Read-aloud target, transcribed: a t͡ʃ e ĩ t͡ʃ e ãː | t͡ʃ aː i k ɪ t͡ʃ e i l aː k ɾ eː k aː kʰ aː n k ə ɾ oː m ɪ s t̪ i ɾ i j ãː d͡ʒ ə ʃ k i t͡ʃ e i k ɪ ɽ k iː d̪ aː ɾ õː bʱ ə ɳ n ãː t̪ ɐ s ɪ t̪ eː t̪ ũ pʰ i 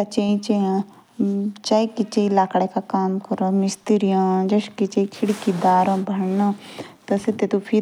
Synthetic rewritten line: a t͡ʃ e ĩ t͡ʃ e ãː | t͡ʃ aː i k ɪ t͡ʃ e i l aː k ɽ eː k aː k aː m k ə ɾ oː m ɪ s t̪ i ɾ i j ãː d͡ʒ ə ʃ k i t͡ʃ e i kʰ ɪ ɽ k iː d̪ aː ɾ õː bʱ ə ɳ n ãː t̪ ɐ s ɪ t̪ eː t̪ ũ pʰ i